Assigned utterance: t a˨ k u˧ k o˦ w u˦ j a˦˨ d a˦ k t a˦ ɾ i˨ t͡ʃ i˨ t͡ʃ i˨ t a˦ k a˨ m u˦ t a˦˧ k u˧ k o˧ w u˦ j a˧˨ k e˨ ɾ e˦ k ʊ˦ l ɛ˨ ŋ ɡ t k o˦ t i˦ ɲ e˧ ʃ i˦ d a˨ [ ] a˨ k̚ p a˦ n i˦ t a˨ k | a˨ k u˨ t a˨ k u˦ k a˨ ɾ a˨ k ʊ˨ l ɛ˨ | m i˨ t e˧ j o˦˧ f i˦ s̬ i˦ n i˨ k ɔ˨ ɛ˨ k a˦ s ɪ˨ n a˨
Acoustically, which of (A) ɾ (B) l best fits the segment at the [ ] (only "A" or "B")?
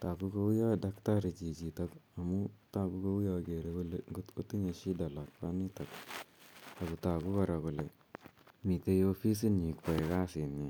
B